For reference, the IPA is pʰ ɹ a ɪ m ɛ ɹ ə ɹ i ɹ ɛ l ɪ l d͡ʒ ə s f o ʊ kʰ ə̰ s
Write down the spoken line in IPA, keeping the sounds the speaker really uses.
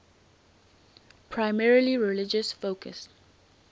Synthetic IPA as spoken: pʰ ɹ a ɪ m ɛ ɹ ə l i ɹ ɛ l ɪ d͡ʒ ə s f o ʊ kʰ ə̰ s